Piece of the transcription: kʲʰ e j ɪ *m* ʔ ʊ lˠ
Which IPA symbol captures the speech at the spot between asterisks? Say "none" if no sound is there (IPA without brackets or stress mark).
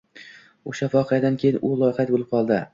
n